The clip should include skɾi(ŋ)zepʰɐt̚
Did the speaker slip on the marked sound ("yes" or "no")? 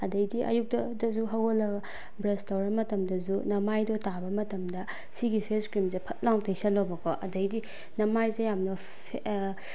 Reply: yes